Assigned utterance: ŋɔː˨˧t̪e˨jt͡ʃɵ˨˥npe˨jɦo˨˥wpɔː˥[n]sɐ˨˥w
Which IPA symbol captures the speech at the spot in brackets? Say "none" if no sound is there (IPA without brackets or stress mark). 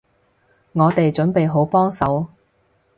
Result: ŋ